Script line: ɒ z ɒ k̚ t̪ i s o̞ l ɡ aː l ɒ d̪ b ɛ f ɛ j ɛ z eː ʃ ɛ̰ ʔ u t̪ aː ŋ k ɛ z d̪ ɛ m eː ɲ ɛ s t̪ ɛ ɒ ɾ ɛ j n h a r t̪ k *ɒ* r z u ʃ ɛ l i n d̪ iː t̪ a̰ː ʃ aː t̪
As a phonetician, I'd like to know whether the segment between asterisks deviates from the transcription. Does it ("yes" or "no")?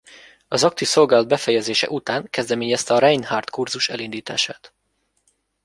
yes